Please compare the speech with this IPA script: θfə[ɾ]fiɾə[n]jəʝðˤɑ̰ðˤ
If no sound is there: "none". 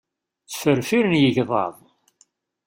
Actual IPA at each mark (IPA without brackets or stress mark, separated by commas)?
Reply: ɾ, n